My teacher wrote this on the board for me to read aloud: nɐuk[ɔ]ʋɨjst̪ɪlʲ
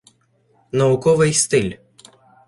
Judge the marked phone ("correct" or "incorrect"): correct